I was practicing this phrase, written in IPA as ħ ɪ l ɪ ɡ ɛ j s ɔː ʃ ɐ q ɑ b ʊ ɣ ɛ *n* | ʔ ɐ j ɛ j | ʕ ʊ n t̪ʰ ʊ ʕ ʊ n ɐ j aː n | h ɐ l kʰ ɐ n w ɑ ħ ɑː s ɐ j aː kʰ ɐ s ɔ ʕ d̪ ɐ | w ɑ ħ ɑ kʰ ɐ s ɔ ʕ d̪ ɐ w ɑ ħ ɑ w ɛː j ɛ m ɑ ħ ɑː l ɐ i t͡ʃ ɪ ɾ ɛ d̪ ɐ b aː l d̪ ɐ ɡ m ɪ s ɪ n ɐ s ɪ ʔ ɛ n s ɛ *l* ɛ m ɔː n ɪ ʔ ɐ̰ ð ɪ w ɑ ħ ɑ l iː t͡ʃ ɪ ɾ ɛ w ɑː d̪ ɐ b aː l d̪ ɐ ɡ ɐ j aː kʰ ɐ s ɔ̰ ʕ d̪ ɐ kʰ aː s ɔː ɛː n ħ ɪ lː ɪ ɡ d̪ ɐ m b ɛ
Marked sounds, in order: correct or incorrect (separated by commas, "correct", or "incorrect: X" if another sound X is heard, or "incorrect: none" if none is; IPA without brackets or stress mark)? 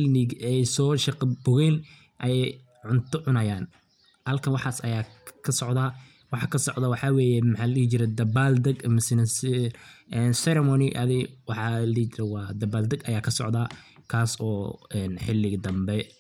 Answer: correct, incorrect: ɾ